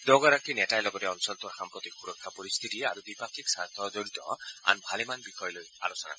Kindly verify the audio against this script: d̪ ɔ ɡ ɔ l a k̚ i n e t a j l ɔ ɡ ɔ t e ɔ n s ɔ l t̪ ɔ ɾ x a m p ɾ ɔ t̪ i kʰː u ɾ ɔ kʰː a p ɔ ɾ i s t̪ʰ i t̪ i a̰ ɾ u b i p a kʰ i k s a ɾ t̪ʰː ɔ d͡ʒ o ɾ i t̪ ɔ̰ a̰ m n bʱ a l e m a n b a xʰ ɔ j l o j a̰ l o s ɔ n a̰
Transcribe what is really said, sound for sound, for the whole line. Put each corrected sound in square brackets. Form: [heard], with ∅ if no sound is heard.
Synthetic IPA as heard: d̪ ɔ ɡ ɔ [ɾ] a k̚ i n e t a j l ɔ ɡ ɔ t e ɔ n s ɔ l t̪ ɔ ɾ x a m p ɾ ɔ t̪ i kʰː u ɾ ɔ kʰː a p ɔ ɾ i s t̪ʰ i t̪ i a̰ ɾ u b i p a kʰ i k s a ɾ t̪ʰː ɔ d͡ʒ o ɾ i t̪ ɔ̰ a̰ [∅] n bʱ a l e m a n b [i] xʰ ɔ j l o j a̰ l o s ɔ n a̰